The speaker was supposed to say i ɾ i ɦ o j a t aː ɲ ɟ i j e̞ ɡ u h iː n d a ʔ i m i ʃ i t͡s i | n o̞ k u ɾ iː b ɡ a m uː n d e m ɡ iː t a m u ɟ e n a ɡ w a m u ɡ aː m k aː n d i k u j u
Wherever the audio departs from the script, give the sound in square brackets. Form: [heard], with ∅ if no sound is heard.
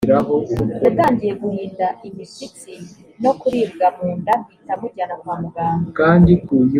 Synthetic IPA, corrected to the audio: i ɾ [a] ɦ o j a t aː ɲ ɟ i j e̞ ɡ u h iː n d a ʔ i m i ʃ i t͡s i | n o̞ k u ɾ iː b ɡ a m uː n d [a] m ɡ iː t a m u ɟ [a] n a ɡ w a m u ɡ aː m k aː n d i k u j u